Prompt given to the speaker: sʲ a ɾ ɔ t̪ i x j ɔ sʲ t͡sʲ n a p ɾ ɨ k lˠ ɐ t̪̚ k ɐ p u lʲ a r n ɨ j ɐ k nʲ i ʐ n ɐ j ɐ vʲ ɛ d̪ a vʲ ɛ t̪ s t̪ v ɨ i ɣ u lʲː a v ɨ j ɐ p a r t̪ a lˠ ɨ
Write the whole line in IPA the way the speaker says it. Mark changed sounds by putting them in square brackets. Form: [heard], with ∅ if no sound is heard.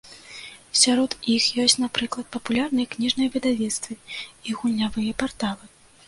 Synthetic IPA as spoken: sʲ a ɾ ɔ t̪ i x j ɔ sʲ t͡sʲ n a p ɾ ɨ k lˠ ɐ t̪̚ [p] ɐ p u lʲ a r n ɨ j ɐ k nʲ i ʐ n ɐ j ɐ vʲ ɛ d̪ a vʲ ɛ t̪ s t̪ v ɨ i ɣ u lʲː a v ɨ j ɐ p a r t̪ a lˠ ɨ

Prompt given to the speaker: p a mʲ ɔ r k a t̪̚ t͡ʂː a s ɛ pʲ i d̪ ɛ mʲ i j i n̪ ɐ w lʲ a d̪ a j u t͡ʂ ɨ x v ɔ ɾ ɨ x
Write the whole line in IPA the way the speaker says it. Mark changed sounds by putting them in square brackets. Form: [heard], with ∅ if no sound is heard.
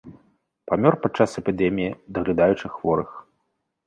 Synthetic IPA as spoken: p a mʲ ɔ r [p] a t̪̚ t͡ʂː a s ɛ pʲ i d̪ ɛ mʲ i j i [d̪] ɐ [ɣ] lʲ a d̪ a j u t͡ʂ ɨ x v ɔ ɾ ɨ x

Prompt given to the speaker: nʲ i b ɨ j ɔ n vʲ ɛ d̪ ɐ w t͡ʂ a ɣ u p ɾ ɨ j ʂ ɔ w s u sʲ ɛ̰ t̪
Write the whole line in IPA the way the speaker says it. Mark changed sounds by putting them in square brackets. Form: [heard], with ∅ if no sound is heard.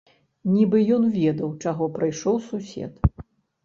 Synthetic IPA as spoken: nʲ i b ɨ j ɔ n vʲ ɛ d̪ ɐ w t͡ʂ a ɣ [ɔ] p ɾ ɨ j ʂ ɔ w s u sʲ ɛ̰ t̪

